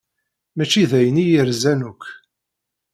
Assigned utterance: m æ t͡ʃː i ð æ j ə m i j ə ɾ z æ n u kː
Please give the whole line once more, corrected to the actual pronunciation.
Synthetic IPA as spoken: m æ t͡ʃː i ð æ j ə n i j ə ɾ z æ n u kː